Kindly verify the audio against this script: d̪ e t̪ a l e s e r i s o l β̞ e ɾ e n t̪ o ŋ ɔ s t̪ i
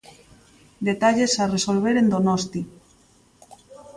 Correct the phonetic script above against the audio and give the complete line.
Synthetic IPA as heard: d̪ e t̪ a ʎ e s a r e s o l β̞ e ɾ e n d̪ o n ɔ s t̪ i